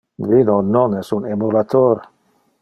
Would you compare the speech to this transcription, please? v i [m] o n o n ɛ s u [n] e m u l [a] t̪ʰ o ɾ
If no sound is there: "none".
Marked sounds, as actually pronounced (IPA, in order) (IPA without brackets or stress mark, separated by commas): n, n, a